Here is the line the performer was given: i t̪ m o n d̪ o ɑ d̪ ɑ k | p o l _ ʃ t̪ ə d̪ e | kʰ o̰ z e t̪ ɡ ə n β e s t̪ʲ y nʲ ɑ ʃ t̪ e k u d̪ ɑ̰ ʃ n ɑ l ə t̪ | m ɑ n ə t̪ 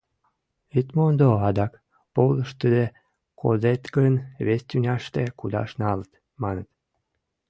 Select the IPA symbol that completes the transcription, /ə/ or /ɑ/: ə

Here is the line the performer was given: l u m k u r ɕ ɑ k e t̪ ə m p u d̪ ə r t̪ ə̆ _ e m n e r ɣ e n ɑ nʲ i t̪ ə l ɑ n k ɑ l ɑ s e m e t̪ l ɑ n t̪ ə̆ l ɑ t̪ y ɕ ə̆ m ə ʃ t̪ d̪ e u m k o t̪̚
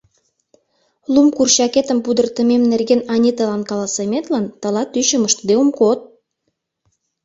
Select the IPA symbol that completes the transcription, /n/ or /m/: m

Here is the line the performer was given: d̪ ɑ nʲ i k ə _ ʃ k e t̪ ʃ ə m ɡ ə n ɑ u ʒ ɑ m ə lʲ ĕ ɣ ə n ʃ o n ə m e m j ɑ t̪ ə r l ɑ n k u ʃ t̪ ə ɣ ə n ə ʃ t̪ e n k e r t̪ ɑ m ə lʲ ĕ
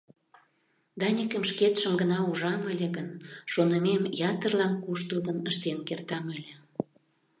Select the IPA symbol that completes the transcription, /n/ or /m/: m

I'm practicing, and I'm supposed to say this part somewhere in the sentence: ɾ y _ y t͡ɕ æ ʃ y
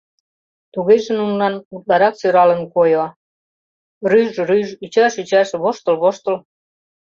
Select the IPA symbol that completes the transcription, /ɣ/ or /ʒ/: ʒ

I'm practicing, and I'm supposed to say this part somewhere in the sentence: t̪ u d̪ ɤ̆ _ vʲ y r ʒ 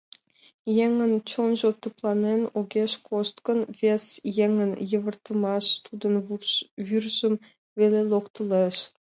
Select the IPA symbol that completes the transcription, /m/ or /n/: n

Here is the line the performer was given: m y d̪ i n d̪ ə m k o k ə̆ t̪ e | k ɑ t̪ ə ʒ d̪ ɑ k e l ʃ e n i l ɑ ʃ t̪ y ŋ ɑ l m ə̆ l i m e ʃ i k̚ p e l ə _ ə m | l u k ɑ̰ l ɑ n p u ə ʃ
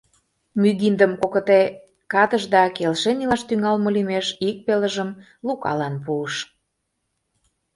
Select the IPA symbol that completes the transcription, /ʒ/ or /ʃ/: ʒ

